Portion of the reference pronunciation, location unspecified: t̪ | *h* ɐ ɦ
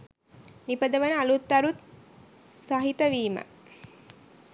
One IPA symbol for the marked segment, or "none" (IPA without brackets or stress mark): s